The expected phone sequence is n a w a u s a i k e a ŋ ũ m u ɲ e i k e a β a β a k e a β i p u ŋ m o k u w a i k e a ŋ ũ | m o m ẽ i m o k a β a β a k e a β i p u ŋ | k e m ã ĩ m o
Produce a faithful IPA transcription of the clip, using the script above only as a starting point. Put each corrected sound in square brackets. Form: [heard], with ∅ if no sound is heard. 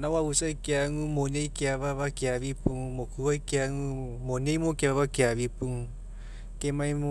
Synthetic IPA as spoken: n a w a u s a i k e a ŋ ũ m [o] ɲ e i k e a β a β a k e a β i p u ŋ m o k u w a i k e a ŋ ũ | m o [ɲ] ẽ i m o k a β a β a k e a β i p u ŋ | k e m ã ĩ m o